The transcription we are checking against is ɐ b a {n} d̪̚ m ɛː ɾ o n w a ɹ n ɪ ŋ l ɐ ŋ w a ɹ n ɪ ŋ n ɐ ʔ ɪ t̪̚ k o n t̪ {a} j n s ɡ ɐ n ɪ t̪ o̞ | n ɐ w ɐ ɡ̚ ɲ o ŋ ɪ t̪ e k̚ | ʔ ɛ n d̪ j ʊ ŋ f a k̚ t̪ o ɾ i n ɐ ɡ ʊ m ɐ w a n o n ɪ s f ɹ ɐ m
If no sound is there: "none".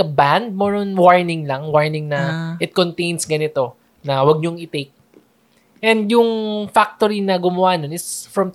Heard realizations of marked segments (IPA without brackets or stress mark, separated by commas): n, e